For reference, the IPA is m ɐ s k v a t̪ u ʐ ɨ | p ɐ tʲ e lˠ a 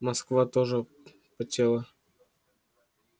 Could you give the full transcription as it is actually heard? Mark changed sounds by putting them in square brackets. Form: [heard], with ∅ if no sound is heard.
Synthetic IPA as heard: m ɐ s k v a t̪ [o] ʐ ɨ | p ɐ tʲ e lˠ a